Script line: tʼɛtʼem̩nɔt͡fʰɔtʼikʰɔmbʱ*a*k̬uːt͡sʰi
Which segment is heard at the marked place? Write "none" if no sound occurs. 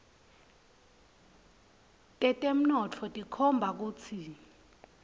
a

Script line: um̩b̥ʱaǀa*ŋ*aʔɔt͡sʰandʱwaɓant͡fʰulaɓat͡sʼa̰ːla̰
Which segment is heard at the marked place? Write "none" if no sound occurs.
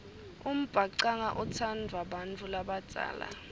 ŋ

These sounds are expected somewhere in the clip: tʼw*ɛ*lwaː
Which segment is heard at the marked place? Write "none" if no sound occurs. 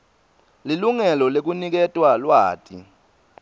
a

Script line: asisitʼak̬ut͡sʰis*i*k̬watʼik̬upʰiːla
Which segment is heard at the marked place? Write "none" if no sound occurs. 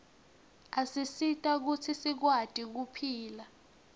i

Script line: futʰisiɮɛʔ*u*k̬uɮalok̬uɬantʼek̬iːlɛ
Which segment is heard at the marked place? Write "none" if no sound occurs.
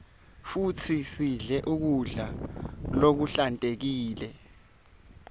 u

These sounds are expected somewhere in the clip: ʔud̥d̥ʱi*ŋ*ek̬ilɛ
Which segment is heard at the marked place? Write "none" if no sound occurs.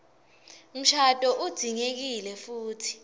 ŋ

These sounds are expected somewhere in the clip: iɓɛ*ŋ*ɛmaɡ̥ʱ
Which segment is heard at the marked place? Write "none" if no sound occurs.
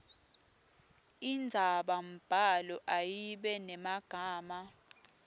n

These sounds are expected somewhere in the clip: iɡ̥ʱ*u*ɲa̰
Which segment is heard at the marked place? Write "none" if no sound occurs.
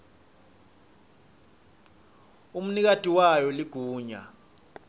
uː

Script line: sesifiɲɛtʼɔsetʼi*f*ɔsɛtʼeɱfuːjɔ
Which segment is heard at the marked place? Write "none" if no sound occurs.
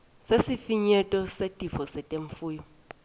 f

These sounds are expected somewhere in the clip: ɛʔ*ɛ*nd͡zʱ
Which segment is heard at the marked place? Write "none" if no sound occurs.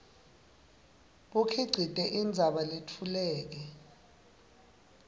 i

